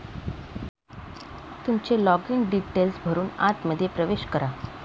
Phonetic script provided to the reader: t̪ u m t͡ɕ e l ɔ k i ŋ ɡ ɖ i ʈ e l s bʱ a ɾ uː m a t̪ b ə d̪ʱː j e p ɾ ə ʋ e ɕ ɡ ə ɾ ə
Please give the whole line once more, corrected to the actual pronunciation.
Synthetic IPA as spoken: t̪ u m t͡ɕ e l ɔ ɡ i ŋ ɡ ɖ i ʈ e l s bʱ ə ɾ uː n a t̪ m ə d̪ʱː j e p ɾ ə ʋ e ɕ k ə ɾ a